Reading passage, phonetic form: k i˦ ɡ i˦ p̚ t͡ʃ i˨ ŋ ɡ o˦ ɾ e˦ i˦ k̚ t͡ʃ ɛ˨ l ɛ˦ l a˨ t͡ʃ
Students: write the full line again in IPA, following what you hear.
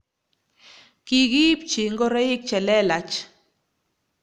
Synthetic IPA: k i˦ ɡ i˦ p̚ t͡ʃ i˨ ŋ ɡ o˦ ɾ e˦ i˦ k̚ t͡ʃ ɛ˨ l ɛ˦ l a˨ t͡ʃ